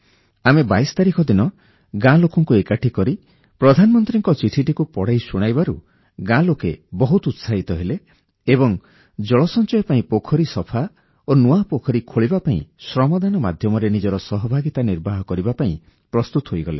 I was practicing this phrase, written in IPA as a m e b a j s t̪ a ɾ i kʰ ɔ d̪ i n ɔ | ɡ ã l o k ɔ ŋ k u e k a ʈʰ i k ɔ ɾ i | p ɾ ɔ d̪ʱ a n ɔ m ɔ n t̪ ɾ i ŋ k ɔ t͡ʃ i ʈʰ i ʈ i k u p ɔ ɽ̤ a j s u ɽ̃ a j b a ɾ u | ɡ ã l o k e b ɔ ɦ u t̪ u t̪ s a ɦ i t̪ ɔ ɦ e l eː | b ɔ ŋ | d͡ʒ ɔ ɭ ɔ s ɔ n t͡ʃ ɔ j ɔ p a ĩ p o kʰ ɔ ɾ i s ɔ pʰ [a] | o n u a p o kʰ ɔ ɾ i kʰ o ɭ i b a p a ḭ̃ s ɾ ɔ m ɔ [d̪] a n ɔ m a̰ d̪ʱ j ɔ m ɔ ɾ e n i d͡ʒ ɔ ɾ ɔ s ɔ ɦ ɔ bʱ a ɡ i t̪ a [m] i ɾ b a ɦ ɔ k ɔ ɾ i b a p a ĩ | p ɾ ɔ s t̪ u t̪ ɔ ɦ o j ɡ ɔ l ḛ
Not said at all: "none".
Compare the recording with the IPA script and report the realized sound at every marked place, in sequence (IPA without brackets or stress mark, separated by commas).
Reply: a, d̪, n